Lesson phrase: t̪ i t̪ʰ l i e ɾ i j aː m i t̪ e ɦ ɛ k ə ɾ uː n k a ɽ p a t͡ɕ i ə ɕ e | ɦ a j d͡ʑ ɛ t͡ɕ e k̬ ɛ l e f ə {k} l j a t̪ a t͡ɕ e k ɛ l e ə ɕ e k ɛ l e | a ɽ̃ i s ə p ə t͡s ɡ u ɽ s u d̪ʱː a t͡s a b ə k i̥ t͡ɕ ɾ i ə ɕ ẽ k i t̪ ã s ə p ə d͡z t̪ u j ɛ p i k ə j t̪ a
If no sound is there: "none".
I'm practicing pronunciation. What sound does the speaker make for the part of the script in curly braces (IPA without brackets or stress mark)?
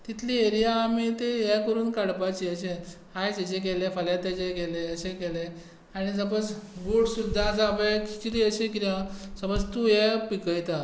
none